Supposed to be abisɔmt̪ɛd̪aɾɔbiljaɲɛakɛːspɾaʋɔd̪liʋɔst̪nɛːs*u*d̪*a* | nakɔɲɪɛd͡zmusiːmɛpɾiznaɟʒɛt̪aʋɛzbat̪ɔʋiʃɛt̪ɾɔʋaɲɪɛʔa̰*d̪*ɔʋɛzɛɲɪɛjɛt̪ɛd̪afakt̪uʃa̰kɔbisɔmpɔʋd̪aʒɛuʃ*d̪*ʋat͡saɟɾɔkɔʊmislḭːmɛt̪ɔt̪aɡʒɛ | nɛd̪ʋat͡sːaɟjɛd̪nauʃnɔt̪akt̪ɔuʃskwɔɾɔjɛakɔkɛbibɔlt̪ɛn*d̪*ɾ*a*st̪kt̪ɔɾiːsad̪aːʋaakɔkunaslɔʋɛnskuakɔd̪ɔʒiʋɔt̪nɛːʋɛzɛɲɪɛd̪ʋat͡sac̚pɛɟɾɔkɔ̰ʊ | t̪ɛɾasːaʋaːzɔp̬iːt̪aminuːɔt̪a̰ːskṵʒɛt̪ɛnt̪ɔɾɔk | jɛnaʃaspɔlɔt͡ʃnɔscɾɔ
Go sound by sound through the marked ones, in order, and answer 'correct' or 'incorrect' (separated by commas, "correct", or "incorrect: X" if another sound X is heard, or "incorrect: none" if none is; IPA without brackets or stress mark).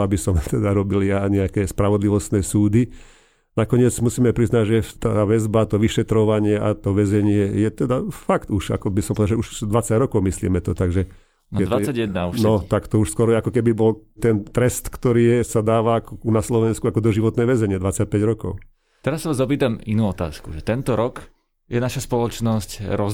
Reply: incorrect: uː, incorrect: i, incorrect: t̪, correct, incorrect: t̪, incorrect: ɛ